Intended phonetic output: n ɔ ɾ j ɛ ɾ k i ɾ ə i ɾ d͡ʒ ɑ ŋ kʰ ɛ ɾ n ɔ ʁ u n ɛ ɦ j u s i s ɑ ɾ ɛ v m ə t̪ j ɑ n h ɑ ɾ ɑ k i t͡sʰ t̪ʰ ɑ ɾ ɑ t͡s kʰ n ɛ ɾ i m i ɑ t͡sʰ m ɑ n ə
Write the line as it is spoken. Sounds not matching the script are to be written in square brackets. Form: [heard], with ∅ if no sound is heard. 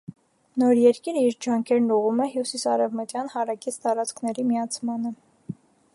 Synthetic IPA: n ɔ ɾ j ɛ ɾ k i ɾ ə i ɾ d͡ʒ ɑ ŋ kʰ ɛ ɾ n [u] ʁ u [m] ɛ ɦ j u s i s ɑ ɾ ɛ v m ə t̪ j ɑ n h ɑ ɾ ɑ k i t͡sʰ [t̪] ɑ ɾ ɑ t͡s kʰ n ɛ ɾ i m i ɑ t͡sʰ m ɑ n ə